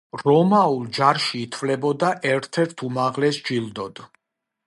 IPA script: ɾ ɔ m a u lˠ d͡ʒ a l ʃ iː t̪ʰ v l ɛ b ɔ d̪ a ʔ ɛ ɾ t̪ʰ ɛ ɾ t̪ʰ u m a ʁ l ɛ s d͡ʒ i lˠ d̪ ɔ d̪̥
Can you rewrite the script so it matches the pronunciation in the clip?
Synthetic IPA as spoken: ɾ ɔ m a u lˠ d͡ʒ a ɾ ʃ iː t̪ʰ v l ɛ b ɔ d̪ a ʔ ɛ ɾ t̪ʰ ɛ ɾ t̪ʰ u m a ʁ l ɛ s d͡ʒ i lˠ d̪ ɔ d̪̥